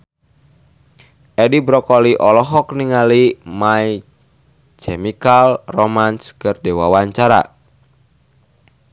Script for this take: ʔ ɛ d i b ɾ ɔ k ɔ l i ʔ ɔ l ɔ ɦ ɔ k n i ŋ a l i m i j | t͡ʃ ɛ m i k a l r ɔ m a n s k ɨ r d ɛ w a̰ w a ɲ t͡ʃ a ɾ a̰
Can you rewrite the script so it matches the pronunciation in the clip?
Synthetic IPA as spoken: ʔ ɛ d i b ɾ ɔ k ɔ l i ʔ ɔ l ɔ ɦ ɔ k n i ŋ a l i m a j | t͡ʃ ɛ m i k a l r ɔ m a n s k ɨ r d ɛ w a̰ w a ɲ t͡ʃ a ɾ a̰